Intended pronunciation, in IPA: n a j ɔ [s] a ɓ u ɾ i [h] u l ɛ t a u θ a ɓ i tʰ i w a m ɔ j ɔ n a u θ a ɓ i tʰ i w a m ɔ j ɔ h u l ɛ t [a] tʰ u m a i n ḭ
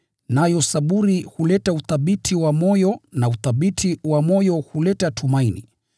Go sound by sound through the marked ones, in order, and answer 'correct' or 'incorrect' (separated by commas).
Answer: correct, correct, correct